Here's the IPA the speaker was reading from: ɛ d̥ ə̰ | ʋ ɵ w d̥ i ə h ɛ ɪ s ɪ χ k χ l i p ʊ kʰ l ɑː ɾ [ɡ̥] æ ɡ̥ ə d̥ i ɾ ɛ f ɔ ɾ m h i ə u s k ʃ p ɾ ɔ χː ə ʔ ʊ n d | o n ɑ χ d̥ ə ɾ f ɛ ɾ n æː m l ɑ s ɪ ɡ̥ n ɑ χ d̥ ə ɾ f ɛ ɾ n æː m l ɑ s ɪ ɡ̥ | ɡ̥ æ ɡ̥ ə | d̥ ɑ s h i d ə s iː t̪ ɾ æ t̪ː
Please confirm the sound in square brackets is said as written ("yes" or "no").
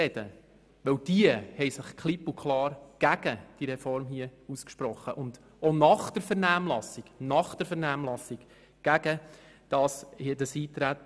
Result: yes